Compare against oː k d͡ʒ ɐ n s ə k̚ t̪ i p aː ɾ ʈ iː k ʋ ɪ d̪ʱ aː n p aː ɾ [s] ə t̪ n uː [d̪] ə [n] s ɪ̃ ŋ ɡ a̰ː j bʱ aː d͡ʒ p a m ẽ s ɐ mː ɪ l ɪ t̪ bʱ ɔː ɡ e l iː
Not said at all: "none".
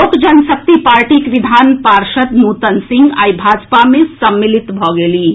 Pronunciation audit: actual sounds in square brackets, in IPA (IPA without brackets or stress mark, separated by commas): ʃ, t̪, n